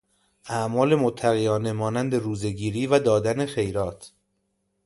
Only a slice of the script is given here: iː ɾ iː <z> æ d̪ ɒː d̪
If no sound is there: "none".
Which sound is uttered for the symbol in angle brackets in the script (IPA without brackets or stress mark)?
v